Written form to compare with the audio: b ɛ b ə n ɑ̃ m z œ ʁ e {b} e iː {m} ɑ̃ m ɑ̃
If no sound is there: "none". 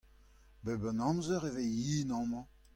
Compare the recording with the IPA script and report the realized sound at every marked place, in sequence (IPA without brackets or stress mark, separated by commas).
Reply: v, n